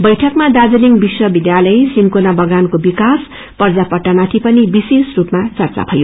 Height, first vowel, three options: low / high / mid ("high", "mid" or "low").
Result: mid